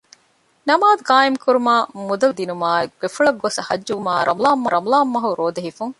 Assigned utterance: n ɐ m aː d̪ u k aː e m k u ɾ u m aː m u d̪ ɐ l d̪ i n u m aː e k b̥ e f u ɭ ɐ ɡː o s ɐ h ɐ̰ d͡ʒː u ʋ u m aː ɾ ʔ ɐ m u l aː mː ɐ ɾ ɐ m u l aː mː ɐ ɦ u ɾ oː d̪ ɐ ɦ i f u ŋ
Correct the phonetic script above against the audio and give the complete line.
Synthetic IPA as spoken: n ɐ m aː d̪ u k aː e m k u ɾ u m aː m u d̪ ɐ l d̪ i n u m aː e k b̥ e f u ɭ ɐ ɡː o s ɐ h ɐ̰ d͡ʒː u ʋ u m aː ɾ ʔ ɐ m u l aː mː ɐ ɾ ɐ m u l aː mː ɐ ɦ u ɾ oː d̪ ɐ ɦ i f u ŋ